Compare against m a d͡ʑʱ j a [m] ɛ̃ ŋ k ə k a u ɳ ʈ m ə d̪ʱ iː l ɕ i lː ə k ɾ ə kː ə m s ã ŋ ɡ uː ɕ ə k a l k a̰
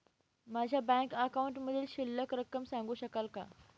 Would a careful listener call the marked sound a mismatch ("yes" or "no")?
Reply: yes